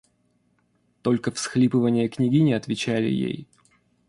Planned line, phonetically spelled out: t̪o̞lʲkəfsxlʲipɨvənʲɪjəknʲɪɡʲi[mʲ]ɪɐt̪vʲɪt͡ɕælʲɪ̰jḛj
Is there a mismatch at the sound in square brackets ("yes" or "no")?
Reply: yes